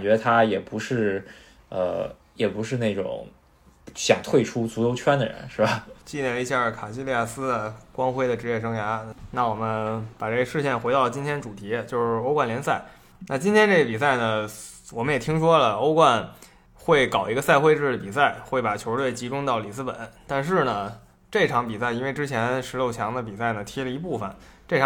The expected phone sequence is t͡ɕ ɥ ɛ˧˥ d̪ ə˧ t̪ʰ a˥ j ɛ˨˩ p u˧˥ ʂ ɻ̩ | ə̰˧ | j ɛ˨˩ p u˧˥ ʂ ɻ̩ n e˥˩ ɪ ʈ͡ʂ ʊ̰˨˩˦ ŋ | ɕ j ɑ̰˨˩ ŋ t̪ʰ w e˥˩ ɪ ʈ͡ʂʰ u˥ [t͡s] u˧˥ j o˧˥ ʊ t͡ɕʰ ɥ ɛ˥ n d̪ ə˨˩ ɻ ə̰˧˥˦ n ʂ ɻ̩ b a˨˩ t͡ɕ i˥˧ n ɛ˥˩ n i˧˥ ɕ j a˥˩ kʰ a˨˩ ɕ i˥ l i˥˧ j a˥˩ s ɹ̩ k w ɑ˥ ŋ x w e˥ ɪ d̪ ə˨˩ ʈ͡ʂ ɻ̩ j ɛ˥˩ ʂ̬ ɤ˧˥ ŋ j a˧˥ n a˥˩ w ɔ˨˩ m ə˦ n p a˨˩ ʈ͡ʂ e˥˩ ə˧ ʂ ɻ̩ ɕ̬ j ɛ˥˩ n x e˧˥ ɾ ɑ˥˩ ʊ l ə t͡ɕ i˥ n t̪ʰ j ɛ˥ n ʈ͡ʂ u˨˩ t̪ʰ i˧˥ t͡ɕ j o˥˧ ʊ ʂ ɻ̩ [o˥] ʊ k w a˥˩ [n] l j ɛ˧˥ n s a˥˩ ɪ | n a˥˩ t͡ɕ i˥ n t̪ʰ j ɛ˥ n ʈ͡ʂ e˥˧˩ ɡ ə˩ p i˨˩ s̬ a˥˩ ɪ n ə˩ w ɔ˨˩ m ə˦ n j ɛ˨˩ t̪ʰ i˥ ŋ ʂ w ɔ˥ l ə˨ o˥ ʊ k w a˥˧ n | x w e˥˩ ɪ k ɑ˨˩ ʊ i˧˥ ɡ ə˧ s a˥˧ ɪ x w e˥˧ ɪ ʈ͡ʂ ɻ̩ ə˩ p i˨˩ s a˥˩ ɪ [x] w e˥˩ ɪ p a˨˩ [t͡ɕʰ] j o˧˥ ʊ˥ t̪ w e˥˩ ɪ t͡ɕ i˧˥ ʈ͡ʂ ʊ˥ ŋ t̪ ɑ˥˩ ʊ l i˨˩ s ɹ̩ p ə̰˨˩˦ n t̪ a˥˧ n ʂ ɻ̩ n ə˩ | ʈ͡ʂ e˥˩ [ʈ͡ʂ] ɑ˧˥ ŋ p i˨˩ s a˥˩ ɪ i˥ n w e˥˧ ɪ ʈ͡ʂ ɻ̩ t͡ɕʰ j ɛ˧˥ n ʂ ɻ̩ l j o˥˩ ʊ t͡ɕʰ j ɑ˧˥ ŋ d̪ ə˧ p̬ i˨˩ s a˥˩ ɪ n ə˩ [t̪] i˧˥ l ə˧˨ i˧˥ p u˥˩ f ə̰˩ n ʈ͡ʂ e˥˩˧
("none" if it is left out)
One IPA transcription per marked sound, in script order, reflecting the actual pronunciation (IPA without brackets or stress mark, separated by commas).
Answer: t͡s, o˥, n, x, t͡ɕʰ, ʈ͡ʂʰ, t̪ʰ